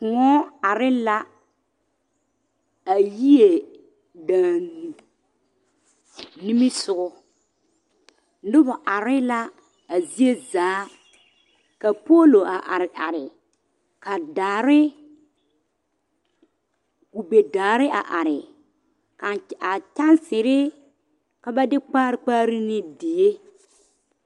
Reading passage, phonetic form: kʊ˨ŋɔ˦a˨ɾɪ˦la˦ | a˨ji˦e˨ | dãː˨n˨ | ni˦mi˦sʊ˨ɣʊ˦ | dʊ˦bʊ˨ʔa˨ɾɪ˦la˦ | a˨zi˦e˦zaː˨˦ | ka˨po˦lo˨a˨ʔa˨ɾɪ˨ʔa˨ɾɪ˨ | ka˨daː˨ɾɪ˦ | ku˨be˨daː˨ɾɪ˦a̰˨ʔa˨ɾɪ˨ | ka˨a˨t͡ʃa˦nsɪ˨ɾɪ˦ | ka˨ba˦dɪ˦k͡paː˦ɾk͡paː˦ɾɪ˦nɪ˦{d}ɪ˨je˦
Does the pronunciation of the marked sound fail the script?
no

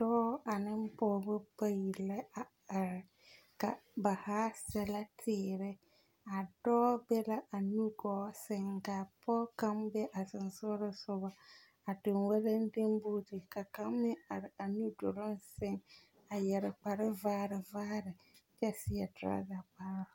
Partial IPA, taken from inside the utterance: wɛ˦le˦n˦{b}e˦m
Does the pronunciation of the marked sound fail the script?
yes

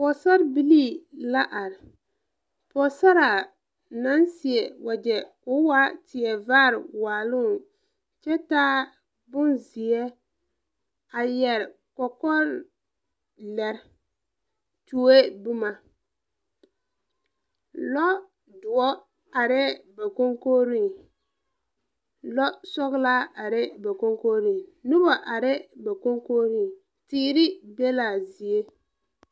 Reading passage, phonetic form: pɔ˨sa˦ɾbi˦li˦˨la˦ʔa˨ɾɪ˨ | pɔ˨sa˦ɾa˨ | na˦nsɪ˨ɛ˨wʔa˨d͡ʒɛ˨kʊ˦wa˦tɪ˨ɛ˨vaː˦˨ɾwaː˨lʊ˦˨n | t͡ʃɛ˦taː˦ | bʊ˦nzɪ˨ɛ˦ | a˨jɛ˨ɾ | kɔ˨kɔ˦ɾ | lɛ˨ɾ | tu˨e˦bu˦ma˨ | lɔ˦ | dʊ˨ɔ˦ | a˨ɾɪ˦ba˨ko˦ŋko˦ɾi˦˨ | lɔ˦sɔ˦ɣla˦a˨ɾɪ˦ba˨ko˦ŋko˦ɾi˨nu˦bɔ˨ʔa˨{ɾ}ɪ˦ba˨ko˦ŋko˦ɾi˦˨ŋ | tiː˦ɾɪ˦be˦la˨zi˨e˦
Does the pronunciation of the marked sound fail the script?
no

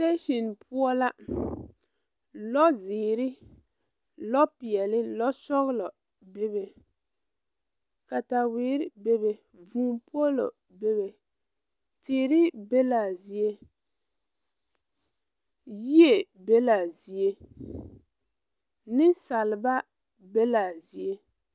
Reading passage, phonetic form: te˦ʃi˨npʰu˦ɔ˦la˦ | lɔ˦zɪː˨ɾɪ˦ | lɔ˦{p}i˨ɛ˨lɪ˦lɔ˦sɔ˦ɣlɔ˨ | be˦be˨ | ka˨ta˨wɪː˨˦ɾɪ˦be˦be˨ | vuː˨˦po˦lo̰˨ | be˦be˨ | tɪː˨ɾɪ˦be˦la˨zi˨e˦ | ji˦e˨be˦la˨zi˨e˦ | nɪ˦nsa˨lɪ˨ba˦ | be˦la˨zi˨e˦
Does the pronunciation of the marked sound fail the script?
no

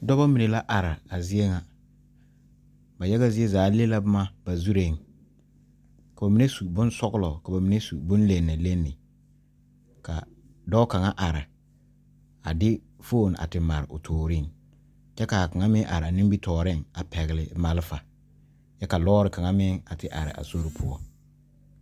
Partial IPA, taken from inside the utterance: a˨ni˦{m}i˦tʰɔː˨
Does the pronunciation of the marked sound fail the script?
yes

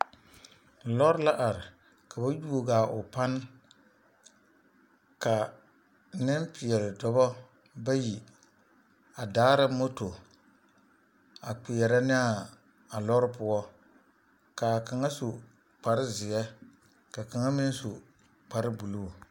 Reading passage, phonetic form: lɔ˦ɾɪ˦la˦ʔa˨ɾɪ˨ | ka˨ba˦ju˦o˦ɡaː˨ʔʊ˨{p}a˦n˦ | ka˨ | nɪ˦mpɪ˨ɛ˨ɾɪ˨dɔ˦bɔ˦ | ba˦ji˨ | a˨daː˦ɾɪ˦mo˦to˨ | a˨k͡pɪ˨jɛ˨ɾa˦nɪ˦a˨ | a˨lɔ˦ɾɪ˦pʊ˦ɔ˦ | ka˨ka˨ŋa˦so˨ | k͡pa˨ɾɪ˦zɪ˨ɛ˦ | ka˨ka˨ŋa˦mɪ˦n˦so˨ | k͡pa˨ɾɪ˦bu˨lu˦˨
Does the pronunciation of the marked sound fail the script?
no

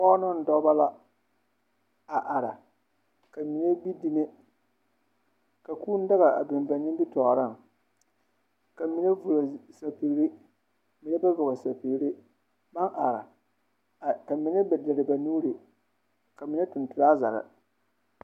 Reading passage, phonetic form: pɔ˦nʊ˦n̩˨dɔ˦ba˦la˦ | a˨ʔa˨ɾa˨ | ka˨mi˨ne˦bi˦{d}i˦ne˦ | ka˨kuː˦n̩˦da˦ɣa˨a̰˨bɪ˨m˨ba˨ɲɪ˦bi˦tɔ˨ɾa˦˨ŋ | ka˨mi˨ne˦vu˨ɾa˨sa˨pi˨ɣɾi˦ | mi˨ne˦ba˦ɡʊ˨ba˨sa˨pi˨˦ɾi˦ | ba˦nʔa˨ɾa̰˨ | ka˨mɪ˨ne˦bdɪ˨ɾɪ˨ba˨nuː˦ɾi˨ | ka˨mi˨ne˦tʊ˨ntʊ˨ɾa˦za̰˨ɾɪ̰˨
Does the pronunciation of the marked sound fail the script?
no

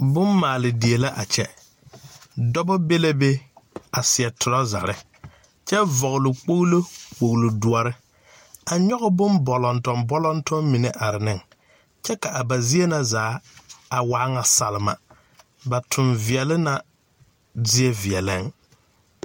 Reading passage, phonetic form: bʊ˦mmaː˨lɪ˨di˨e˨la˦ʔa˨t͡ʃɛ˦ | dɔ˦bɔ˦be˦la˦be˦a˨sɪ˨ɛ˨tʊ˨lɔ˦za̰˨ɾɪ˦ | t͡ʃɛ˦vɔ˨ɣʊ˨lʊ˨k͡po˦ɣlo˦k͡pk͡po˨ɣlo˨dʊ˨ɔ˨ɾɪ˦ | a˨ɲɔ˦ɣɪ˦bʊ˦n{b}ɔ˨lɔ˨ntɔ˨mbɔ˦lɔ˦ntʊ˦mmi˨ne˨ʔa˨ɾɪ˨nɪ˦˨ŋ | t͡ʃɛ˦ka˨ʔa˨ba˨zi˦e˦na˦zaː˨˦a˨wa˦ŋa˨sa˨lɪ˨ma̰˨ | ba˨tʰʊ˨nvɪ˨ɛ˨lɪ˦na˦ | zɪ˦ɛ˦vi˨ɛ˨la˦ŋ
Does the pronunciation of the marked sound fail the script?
no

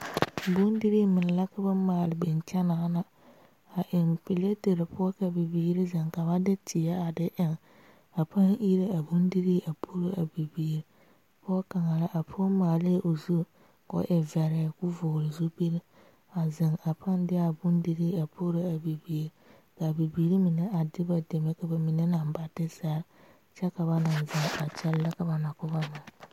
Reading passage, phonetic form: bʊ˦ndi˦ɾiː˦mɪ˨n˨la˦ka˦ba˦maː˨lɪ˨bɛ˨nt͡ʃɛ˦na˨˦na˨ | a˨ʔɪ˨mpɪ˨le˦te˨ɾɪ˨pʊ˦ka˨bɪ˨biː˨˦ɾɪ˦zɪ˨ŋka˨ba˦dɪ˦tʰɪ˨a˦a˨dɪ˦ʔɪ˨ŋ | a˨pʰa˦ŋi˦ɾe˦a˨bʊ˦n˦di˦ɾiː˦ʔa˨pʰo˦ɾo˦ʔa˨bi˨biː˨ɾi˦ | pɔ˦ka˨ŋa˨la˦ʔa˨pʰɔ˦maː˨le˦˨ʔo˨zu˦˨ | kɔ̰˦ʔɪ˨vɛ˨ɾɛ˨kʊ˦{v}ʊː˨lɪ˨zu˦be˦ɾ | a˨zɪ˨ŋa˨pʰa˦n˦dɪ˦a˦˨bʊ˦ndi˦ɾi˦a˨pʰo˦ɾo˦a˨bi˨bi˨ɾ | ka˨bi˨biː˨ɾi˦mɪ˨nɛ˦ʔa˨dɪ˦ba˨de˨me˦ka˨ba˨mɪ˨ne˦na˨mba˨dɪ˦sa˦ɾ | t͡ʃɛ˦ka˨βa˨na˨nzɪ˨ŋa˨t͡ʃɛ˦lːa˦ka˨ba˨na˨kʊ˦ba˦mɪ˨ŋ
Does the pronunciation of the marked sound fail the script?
no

